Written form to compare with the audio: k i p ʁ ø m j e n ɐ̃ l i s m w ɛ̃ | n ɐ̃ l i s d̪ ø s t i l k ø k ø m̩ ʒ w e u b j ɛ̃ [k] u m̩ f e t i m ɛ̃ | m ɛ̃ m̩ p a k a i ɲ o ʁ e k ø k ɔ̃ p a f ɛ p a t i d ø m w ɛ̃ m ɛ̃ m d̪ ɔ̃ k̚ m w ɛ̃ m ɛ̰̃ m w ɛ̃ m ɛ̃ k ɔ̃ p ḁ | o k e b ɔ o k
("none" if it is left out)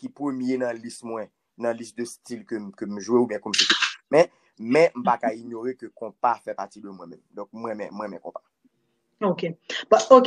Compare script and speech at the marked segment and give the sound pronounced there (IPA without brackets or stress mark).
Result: k